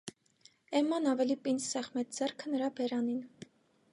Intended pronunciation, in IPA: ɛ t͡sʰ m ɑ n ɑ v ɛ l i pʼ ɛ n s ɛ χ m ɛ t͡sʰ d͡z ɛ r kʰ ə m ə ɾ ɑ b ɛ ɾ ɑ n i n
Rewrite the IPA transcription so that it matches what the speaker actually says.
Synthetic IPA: ɛ m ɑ n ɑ v ɛ l i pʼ i n s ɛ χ m ɛ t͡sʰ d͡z ɛ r kʰ ə n ə ɾ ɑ b ɛ ɾ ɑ n i n